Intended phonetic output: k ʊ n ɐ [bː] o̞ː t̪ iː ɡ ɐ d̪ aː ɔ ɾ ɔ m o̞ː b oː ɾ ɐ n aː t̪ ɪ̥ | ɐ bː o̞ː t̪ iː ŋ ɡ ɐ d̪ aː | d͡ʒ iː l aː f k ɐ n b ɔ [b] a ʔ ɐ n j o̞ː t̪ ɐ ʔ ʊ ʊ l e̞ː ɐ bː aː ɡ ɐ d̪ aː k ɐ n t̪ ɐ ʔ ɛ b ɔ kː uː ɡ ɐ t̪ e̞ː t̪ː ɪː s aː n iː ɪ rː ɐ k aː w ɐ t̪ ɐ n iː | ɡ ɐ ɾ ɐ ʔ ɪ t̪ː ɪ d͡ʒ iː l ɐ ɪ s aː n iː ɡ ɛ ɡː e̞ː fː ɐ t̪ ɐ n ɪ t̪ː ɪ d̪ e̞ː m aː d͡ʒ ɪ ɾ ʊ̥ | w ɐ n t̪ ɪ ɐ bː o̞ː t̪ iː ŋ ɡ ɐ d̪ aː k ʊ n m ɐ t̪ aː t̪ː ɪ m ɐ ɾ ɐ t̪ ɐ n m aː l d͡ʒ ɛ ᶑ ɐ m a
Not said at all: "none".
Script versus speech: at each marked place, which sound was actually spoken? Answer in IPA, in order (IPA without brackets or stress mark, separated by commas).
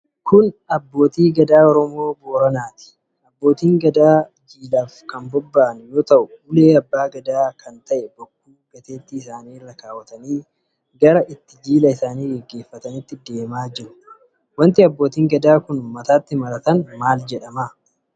bː, bː